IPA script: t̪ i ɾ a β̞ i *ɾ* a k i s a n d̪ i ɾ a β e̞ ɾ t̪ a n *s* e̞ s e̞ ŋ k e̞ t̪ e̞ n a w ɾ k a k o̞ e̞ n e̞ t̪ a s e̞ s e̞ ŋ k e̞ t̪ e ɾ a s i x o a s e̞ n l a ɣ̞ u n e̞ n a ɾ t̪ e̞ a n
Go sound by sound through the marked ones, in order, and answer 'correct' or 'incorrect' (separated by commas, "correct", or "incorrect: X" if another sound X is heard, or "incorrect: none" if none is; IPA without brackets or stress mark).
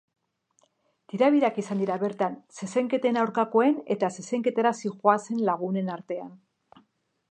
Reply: correct, correct